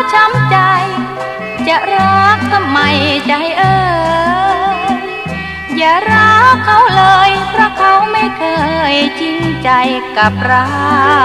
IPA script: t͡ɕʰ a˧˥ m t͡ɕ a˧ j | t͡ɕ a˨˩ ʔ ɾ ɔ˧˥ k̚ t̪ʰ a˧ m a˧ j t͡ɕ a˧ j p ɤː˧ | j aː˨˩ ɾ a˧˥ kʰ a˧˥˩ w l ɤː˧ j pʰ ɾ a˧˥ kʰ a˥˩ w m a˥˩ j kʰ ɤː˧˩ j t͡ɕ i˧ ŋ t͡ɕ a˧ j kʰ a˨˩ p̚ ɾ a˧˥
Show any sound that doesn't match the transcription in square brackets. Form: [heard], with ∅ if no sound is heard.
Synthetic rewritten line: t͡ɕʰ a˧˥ m t͡ɕ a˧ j | t͡ɕ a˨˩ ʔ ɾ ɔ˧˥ k̚ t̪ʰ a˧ m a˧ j t͡ɕ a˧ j [ʔ] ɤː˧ | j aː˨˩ ɾ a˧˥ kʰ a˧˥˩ w l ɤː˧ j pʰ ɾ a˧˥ kʰ [a˧˥] w m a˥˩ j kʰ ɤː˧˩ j t͡ɕ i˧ ŋ t͡ɕ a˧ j [k] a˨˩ p̚ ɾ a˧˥

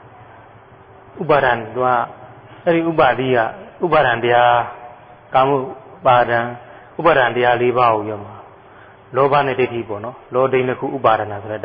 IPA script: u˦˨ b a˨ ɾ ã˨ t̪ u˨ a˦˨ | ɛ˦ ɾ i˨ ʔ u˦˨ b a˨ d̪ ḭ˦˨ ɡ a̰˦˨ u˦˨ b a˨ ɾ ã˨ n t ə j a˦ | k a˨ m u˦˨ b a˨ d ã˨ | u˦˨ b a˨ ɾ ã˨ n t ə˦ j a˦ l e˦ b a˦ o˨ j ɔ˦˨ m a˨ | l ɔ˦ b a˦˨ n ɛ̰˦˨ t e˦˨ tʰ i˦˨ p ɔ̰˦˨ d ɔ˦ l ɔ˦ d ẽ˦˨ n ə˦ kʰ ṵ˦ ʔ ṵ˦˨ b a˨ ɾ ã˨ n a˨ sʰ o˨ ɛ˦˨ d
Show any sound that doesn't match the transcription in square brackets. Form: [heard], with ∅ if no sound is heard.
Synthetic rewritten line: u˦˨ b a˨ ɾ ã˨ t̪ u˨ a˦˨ | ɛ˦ ɾ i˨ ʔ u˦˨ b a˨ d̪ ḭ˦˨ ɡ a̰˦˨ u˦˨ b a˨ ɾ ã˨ n t ə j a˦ | k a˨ m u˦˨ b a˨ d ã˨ | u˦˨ b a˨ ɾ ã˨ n t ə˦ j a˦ l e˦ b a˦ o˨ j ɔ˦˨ m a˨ | l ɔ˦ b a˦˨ n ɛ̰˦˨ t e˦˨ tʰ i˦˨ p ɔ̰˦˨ [n] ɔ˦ l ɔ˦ d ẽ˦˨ n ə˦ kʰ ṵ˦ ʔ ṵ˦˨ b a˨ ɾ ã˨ n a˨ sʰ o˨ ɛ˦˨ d

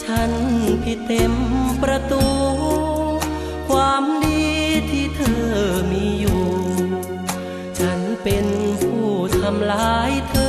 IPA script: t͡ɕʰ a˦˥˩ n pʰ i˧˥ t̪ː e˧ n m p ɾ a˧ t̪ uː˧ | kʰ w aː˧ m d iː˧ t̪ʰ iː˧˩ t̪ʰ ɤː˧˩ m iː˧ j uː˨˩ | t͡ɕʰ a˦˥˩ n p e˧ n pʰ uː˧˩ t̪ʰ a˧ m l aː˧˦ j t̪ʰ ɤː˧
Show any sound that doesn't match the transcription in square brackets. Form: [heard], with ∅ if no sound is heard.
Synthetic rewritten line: t͡ɕʰ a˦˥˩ n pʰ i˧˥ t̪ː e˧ [∅] m p ɾ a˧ t̪ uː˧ | kʰ w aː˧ m d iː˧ t̪ʰ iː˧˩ t̪ʰ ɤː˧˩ m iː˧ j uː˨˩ | t͡ɕʰ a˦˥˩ n p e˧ n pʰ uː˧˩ t̪ʰ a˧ m l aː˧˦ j t̪ʰ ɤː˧

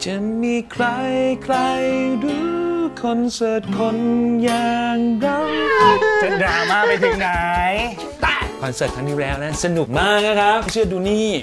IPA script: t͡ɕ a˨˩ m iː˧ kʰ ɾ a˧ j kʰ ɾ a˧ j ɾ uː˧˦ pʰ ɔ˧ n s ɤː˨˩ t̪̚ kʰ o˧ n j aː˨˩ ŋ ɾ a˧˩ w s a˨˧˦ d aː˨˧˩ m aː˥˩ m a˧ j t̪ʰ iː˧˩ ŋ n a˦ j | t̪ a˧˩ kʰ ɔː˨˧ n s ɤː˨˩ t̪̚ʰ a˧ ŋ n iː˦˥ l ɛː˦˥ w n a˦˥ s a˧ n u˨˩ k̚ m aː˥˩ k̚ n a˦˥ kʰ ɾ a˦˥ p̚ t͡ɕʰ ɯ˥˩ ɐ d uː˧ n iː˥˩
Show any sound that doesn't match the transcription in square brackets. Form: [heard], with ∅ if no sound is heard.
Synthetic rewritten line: t͡ɕ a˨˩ m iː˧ kʰ ɾ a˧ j kʰ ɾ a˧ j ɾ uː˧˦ [kʰ] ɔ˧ n s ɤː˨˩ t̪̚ kʰ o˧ n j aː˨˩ ŋ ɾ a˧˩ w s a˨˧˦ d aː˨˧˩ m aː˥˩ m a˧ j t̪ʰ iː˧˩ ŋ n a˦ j | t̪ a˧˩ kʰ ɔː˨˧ n s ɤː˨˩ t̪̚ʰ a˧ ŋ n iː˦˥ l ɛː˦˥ w n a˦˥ s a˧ n u˨˩ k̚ m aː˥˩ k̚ n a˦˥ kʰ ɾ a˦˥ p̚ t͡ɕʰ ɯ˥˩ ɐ d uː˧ n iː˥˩

